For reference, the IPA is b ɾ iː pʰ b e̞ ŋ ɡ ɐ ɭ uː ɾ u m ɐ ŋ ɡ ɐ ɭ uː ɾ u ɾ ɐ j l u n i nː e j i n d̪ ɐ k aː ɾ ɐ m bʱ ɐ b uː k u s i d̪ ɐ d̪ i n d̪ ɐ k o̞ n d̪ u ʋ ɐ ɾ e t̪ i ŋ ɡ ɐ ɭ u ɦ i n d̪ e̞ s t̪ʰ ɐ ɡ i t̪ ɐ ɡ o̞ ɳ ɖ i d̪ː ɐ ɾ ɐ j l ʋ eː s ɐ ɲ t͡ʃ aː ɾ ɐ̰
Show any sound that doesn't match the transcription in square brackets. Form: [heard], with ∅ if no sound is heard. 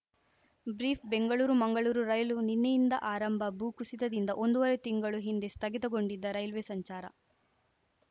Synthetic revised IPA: b ɾ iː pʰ b e̞ ŋ ɡ ɐ ɭ uː ɾ u m ɐ ŋ ɡ ɐ ɭ uː ɾ u ɾ ɐ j l u n i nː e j i n d̪ ɐ [ʔ] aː ɾ ɐ m bʱ ɐ b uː k u s i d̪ ɐ d̪ i n d̪ ɐ [ʔ] o̞ n d̪ u ʋ ɐ ɾ e t̪ i ŋ ɡ ɐ ɭ u ɦ i n d̪ e̞ s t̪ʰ ɐ ɡ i t̪ ɐ ɡ o̞ ɳ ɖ i d̪ː ɐ ɾ ɐ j l ʋ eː s ɐ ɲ t͡ʃ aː ɾ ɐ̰